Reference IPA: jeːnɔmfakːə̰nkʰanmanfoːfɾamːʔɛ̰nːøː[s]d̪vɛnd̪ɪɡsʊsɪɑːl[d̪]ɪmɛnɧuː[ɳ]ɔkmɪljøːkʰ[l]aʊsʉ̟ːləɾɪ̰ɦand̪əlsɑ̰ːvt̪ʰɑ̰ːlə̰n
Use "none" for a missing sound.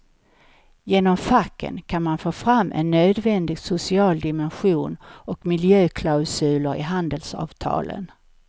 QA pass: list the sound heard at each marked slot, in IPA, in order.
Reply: none, d̪, n, l

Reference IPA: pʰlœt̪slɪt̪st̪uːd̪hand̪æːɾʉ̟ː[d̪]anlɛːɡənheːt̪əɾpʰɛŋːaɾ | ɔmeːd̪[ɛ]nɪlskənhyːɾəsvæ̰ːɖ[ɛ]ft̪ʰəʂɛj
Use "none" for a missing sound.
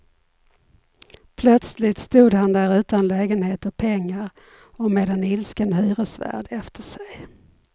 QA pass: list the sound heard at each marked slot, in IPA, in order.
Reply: t̪, ɛ, ɛ

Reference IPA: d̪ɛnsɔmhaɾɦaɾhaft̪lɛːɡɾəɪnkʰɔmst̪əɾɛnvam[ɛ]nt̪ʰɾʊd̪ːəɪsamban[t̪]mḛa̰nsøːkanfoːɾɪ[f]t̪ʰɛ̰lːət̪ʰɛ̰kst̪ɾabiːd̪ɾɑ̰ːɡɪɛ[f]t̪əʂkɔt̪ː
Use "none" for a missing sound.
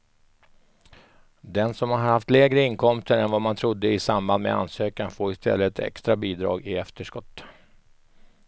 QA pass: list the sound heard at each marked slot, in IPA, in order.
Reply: a, d̪, s, f

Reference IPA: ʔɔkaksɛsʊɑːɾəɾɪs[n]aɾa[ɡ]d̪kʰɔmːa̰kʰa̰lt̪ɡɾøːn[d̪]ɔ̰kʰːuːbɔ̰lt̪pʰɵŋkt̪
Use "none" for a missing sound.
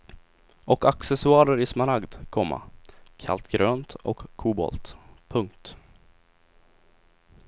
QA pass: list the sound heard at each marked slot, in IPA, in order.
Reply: m, ɡ, t̪

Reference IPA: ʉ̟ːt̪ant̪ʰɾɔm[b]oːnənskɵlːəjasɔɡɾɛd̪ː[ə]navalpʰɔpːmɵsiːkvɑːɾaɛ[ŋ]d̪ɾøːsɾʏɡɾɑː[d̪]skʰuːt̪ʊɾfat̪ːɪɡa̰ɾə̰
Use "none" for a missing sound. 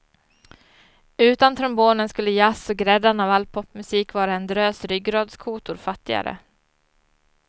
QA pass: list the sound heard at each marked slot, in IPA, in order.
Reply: b, a, n, d̪

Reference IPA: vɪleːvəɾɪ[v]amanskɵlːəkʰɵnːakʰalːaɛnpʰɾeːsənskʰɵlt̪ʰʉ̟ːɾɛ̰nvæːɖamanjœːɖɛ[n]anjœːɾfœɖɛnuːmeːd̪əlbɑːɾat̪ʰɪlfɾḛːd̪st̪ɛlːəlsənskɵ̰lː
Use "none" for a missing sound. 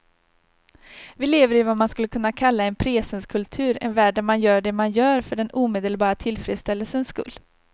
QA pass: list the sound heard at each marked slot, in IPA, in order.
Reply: v, m

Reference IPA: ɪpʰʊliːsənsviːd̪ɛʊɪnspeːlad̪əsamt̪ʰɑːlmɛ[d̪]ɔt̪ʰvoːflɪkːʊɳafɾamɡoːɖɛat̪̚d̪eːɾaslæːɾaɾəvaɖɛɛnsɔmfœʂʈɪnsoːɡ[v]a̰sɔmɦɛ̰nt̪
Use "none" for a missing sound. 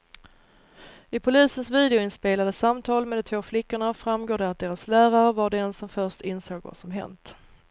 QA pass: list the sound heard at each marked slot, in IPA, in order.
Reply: d̪, v

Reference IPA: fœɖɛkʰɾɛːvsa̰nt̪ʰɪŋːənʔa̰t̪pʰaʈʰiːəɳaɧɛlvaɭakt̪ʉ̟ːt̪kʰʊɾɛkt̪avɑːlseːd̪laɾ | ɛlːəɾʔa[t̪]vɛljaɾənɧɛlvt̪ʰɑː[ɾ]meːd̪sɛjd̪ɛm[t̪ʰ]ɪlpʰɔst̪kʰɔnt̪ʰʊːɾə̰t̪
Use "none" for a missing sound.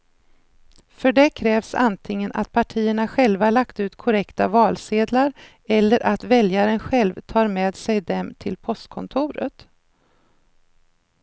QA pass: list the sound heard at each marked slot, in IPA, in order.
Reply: t̪, ɾ, t̪ʰ

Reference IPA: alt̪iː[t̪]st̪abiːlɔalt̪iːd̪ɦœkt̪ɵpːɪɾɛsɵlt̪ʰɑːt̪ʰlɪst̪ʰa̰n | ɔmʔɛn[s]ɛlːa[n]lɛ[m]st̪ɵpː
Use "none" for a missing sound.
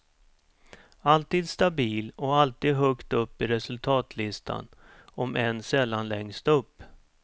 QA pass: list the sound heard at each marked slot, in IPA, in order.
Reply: d̪, s, n, ŋ

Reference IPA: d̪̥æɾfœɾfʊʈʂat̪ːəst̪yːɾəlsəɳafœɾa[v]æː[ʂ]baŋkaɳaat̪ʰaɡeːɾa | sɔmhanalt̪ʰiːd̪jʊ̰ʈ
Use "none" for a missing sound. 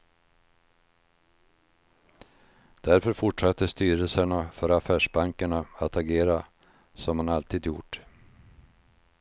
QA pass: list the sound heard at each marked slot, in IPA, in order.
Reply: f, ʂ

